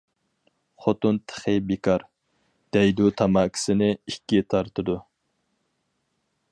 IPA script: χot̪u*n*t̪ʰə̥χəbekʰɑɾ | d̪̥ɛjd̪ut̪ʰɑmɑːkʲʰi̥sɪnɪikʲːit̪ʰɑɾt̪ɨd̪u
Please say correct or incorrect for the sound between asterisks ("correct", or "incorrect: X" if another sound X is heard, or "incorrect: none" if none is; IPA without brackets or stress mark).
correct